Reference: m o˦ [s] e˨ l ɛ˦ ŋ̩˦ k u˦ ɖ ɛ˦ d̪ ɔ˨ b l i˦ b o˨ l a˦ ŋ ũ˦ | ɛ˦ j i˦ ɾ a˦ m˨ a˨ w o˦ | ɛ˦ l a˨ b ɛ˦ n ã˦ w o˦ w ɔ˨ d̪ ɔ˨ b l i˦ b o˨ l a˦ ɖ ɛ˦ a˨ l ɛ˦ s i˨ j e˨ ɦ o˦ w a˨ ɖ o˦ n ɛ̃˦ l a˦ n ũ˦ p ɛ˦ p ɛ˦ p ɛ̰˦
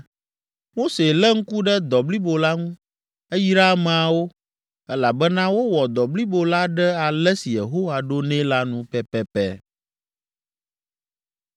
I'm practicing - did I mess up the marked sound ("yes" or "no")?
no